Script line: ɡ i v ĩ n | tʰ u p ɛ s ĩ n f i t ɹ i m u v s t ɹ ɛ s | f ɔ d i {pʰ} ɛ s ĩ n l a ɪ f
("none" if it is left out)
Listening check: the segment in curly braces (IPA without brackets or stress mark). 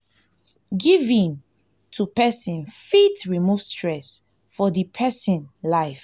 pʰ